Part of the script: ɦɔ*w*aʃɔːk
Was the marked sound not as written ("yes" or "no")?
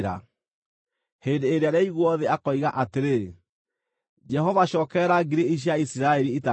yes